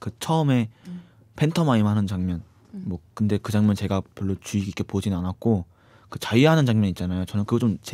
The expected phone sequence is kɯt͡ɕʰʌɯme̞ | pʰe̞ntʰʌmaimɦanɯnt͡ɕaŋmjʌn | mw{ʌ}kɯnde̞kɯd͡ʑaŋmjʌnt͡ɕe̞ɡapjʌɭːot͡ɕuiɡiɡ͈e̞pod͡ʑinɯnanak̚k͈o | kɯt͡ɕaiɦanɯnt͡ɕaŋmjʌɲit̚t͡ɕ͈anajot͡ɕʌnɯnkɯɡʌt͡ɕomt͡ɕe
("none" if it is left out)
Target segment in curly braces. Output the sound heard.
ʌ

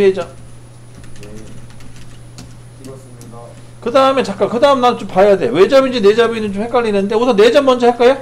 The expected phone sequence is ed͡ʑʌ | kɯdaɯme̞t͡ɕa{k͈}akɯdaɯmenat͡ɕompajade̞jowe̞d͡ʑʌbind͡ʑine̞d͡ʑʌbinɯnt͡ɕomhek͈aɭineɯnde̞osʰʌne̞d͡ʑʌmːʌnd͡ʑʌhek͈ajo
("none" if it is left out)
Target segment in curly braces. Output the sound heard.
k͈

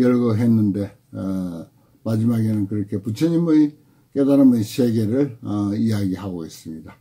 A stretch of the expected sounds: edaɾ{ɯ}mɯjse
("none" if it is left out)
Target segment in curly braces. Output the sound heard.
ɯ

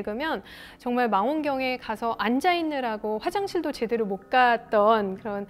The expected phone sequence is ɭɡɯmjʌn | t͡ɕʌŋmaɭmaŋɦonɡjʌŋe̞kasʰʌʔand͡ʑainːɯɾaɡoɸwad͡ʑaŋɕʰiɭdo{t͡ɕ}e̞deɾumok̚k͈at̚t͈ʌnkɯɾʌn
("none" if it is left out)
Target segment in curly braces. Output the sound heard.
t͡ɕ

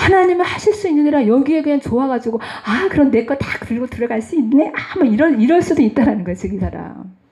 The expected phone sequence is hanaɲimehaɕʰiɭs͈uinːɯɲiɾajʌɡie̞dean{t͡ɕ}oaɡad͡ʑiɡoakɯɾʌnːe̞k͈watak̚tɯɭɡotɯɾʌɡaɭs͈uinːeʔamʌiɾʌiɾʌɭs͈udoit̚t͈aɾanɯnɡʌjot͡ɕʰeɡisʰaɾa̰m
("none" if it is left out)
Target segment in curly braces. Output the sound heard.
t͡ɕ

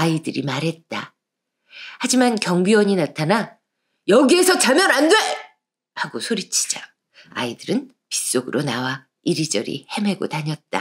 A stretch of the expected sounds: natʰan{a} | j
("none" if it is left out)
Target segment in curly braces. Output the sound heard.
a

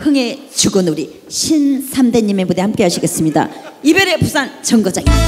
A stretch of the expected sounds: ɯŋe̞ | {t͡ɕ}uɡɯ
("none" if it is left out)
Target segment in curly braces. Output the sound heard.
t͡ɕ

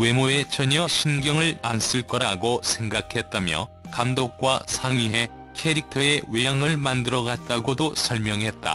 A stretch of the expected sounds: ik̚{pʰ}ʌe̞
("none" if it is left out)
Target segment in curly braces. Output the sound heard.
tʰ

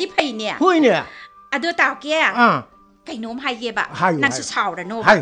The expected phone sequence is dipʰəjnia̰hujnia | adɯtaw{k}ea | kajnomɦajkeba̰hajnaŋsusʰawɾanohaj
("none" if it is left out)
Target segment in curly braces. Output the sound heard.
k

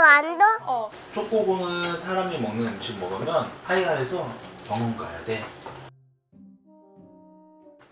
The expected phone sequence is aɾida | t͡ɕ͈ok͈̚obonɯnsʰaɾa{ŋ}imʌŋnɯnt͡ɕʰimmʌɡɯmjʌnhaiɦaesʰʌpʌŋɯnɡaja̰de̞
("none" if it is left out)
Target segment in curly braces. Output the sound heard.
m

